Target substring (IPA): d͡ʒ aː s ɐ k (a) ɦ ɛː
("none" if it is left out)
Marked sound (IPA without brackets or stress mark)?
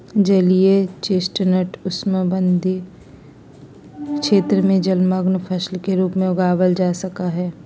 a